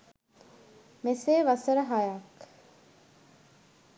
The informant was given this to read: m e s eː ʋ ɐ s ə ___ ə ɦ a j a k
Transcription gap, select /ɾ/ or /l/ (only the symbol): ɾ